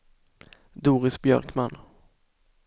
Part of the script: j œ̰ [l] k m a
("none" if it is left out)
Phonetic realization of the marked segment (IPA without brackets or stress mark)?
ɾ